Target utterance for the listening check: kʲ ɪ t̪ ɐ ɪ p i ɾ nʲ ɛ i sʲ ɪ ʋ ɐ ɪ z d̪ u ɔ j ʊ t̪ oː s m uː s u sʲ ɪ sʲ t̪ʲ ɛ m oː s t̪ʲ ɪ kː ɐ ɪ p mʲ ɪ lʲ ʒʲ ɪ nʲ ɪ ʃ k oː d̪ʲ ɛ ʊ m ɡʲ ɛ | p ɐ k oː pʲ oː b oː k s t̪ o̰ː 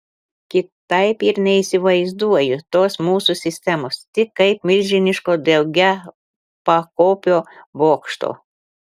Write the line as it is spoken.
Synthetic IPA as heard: kʲ ɪ t̪ ɐ ɪ p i ɾ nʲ ɛ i sʲ ɪ ʋ ɐ ɪ z d̪ u ɔ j ʊ t̪ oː s m uː s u sʲ ɪ sʲ t̪ʲ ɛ m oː s t̪ʲ ɪ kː ɐ ɪ p mʲ ɪ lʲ ʒʲ ɪ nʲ ɪ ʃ k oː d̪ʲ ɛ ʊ ɡʲ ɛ | p ɐ k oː pʲ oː b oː k ʃ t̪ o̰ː